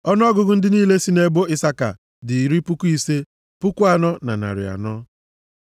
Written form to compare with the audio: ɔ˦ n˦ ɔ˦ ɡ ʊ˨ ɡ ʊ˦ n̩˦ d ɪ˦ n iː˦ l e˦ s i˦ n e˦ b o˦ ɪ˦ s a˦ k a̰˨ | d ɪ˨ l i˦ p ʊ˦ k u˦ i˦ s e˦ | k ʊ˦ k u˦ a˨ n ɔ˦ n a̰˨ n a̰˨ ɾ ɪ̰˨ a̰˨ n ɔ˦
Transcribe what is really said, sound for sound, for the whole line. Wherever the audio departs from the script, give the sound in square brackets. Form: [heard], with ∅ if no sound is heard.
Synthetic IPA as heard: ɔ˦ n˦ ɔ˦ ɡ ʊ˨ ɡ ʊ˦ n̩˦ d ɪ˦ n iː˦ l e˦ s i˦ n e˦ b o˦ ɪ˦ s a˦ k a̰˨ | d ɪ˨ [ɾ] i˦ p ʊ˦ k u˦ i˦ s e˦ | [p] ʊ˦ k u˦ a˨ n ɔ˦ n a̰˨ n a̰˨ ɾ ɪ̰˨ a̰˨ n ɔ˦